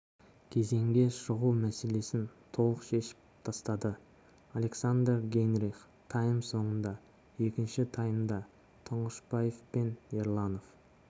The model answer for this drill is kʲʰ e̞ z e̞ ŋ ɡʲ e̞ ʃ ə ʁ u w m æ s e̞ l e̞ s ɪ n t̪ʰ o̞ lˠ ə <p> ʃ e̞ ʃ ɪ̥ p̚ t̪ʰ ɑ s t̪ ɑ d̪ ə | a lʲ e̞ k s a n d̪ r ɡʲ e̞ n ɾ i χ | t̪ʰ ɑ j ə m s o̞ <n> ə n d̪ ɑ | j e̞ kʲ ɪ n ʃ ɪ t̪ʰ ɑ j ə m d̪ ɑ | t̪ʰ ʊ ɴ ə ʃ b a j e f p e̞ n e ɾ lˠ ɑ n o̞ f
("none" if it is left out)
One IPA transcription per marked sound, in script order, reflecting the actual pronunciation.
q, ɴ

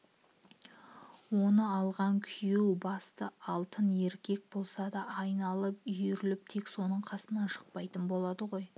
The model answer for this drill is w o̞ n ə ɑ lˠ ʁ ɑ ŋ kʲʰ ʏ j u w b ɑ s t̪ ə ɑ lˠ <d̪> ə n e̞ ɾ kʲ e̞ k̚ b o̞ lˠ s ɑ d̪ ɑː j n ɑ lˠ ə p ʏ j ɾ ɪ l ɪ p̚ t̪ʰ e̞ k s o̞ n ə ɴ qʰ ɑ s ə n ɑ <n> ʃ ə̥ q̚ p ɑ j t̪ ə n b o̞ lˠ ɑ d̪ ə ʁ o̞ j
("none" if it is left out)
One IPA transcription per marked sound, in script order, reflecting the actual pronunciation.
t̪, n

